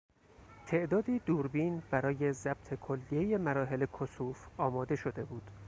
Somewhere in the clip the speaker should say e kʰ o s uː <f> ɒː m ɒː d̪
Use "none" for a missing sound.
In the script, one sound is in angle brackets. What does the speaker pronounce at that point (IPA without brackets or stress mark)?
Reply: f